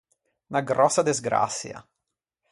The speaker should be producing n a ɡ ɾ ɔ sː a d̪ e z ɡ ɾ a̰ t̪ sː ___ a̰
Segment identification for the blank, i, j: j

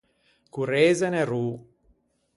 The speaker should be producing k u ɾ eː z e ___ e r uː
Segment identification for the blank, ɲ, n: n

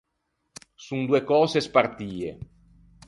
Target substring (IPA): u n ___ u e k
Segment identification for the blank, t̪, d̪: d̪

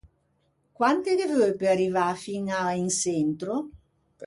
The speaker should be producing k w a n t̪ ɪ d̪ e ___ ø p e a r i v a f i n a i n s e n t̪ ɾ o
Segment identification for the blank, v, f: v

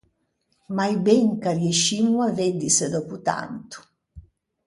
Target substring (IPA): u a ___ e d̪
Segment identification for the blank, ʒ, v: v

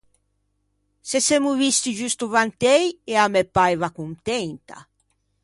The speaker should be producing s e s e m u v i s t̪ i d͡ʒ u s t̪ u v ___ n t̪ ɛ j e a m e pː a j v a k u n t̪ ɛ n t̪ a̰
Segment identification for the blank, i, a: a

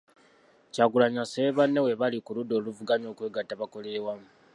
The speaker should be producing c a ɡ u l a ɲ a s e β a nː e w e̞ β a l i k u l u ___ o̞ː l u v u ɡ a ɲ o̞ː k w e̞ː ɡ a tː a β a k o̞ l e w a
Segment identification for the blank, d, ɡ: d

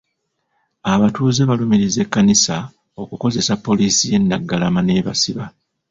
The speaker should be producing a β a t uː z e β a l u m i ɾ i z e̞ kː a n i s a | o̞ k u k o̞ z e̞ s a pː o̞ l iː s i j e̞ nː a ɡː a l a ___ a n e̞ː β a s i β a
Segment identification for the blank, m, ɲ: m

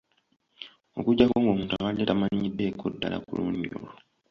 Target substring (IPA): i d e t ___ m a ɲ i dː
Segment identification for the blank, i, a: a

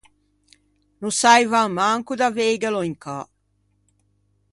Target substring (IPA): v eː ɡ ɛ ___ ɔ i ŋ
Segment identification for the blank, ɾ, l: l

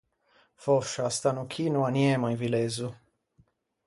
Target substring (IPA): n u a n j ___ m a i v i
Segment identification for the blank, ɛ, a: ɛ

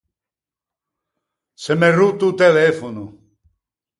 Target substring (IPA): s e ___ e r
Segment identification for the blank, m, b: m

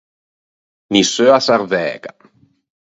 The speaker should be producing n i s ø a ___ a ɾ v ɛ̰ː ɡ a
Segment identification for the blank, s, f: s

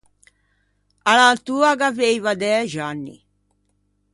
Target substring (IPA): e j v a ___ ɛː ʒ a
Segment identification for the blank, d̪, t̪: d̪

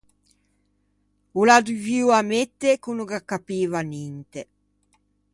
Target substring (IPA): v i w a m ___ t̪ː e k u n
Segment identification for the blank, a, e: e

